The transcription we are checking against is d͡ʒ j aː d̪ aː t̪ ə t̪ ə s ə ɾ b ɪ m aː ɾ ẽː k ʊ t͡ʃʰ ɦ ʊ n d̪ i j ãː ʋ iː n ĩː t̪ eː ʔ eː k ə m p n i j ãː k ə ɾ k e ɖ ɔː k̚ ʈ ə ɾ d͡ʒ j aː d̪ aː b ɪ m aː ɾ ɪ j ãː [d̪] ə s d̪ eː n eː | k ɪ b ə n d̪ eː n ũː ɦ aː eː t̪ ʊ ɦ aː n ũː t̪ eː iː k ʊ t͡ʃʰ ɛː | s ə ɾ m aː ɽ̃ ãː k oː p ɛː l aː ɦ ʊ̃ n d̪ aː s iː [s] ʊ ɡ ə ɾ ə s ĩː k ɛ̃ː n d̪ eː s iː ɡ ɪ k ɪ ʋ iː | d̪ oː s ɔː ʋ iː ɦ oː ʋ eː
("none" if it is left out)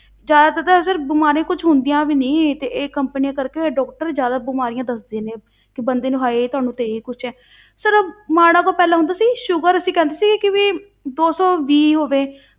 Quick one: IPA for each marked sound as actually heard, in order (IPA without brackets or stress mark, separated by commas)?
d̪, ʃ